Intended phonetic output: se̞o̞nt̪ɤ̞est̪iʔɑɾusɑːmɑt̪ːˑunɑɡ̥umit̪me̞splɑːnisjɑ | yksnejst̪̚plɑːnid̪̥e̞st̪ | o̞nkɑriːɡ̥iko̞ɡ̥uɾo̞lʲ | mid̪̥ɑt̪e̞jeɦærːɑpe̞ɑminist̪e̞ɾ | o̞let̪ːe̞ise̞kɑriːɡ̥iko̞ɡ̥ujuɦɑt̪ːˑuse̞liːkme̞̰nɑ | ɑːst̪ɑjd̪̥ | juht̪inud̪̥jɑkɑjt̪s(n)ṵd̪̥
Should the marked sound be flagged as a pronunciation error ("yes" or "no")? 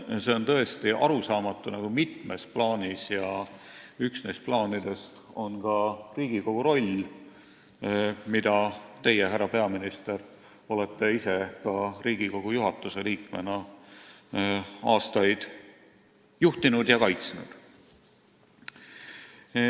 no